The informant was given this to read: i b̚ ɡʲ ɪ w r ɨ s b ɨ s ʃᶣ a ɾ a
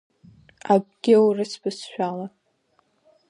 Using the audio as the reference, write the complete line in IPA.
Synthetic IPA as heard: a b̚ ɡʲ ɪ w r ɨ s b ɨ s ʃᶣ a l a